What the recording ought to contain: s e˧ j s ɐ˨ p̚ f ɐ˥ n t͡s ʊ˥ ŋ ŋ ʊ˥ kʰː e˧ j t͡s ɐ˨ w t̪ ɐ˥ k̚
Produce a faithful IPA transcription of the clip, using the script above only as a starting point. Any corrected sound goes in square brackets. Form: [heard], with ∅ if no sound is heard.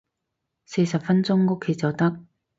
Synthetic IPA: s e˧ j s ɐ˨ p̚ f ɐ˥ n t͡s ʊ˥ ŋ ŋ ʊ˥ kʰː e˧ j t͡s ɐ˨ w t̪ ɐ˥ k̚